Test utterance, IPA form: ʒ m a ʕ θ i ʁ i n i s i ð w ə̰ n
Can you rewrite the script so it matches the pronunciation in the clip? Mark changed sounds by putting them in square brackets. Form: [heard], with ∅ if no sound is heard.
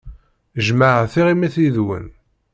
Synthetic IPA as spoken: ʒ m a ʕ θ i ʁ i [m] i [θ] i ð w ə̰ n